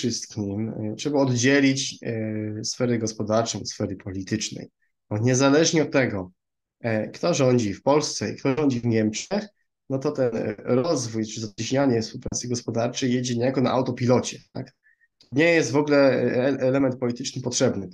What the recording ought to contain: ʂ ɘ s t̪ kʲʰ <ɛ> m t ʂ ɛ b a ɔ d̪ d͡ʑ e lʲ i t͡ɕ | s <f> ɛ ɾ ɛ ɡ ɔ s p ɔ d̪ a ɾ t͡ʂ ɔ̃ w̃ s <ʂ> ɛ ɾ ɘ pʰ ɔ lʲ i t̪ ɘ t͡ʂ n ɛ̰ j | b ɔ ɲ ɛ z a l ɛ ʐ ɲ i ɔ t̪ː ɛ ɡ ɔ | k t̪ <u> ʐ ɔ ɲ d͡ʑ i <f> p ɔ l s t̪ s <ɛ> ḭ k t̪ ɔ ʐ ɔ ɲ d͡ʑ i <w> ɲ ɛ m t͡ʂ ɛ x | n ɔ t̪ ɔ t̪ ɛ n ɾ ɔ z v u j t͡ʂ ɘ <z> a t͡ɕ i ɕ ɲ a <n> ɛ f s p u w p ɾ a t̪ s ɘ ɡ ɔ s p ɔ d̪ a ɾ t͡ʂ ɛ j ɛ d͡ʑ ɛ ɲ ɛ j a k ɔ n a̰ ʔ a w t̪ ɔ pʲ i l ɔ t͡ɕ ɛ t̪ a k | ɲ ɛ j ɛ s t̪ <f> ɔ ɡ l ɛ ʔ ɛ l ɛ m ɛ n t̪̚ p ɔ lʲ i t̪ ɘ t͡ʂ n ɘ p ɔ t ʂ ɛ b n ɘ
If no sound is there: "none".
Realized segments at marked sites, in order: i, f, f, ɔ, f, ɛ, v, z, ɲ, v

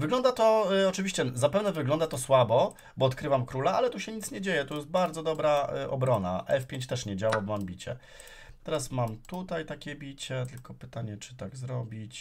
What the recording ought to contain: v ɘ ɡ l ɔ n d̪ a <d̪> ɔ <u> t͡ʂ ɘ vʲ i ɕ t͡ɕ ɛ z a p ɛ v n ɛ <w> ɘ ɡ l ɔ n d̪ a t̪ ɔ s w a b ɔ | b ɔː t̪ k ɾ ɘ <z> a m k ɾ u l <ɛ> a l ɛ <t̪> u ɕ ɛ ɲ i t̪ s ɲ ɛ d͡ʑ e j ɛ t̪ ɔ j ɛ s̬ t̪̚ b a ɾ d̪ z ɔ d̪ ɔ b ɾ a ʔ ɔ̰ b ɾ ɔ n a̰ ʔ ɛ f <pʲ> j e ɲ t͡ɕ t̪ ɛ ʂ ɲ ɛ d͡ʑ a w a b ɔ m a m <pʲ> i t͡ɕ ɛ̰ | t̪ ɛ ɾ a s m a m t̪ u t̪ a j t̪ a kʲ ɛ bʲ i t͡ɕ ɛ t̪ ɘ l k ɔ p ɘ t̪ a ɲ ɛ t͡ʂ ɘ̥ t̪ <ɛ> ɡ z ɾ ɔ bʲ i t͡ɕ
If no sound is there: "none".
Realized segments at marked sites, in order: t̪, ɔ, v, v, a, t̪, pʲ, bʲ, a

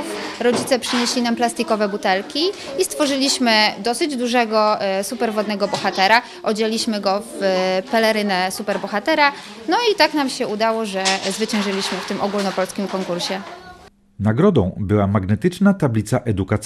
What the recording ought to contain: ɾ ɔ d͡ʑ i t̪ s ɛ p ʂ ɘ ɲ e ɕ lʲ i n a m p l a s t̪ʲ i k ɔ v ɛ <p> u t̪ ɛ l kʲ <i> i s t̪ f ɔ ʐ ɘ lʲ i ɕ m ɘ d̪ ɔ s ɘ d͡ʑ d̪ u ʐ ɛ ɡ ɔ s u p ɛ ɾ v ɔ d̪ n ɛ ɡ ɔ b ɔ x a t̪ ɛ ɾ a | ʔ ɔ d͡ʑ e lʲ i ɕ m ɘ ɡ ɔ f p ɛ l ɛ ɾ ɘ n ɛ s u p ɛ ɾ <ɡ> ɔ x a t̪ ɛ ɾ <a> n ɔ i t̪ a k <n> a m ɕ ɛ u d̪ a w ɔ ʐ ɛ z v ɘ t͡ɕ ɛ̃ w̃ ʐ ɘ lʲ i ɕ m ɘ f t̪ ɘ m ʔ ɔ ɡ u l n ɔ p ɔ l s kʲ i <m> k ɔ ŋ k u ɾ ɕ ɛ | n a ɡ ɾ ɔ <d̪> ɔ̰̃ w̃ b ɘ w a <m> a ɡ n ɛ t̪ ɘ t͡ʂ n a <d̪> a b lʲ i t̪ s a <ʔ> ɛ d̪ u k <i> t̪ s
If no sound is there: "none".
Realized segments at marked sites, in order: b, i, b, a, n, m, d̪, m, t̪, ʔ, a

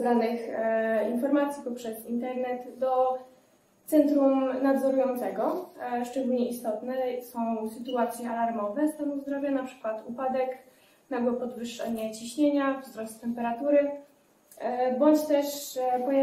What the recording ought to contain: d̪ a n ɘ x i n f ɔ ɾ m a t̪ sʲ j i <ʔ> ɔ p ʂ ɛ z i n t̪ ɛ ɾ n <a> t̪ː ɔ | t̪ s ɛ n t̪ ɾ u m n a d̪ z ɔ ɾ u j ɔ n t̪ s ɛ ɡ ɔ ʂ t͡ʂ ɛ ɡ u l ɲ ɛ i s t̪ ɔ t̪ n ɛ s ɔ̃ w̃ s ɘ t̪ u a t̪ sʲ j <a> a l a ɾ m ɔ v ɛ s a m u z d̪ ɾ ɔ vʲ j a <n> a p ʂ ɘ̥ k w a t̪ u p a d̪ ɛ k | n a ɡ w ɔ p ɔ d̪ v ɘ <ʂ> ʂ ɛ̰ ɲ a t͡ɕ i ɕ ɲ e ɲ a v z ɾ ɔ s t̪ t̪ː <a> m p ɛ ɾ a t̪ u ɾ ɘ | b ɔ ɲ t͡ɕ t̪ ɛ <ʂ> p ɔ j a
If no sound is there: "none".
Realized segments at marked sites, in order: p, ɛ, ɛ, n, ʂ, ɛ, ʂ

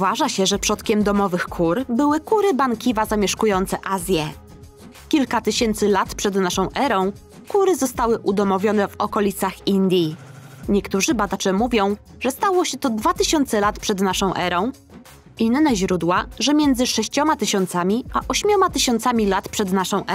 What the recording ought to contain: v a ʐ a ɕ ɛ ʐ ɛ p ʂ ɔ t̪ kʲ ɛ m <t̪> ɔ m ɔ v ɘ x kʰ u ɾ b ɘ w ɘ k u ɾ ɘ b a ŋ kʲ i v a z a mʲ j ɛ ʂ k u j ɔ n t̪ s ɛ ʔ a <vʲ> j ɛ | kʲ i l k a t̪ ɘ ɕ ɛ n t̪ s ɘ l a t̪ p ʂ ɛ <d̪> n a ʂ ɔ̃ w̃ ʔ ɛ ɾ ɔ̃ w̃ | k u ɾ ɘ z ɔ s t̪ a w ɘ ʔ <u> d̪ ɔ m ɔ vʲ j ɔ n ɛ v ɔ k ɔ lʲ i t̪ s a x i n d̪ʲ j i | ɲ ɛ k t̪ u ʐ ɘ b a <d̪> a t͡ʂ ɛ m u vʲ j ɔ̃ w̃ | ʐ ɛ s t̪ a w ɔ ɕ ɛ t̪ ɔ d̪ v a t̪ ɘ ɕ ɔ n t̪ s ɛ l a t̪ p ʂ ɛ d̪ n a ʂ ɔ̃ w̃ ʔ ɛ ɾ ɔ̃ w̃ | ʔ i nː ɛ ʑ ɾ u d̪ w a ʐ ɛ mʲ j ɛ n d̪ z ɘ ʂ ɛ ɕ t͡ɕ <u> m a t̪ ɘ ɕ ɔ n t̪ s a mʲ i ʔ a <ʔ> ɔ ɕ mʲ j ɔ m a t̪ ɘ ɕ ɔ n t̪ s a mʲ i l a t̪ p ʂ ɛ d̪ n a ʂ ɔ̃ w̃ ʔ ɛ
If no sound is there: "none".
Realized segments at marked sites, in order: d̪, zʲ, d̪, u, d̪, ɔ, ʔ

